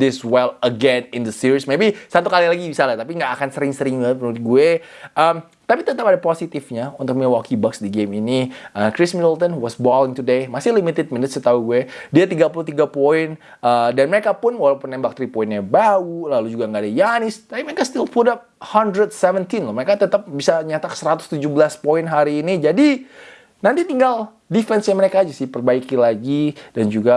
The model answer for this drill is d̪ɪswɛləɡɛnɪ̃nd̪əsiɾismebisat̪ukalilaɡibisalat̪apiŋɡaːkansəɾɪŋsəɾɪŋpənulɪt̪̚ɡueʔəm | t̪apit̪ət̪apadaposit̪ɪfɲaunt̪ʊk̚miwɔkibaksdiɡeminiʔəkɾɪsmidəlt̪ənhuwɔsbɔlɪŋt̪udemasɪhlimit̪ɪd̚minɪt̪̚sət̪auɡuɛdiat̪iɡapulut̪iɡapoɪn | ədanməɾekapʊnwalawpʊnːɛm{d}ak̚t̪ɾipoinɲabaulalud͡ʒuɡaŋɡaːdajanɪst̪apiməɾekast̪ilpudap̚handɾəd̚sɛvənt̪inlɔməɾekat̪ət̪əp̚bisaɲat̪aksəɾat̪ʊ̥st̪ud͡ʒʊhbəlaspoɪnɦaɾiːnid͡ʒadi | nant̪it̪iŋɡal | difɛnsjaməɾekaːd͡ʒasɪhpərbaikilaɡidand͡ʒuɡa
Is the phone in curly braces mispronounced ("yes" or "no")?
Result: yes